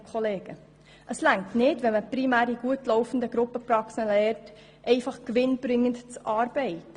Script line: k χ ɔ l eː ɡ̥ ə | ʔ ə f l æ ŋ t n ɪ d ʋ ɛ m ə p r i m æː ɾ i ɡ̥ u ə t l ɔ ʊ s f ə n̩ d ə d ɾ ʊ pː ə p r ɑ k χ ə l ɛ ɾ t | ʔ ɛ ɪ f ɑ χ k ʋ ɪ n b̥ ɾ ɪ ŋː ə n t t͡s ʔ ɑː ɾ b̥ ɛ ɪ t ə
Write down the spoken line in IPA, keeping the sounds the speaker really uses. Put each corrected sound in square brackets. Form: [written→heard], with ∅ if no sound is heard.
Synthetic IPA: k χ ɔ l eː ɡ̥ ə | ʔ ə [f→s] l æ ŋ t n ɪ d ʋ ɛ m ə p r i m æː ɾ i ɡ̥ u ə t l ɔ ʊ [s→∅] f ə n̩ d ə [d→ɡ] ɾ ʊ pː ə p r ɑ k [χ→s] ə l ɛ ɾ t | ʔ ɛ ɪ f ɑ χ k ʋ ɪ n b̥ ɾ ɪ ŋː ə n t t͡s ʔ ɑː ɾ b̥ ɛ ɪ t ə